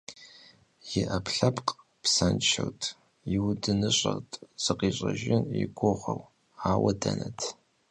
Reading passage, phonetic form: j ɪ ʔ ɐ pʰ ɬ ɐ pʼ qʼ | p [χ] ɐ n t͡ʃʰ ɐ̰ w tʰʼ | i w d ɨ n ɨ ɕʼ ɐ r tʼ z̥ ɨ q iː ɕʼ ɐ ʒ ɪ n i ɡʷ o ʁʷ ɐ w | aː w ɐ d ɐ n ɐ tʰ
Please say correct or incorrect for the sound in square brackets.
incorrect